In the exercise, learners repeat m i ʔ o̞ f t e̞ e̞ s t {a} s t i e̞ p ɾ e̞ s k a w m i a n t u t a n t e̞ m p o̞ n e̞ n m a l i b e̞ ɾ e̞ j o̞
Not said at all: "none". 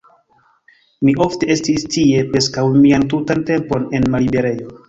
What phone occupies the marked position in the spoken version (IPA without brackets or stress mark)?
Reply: i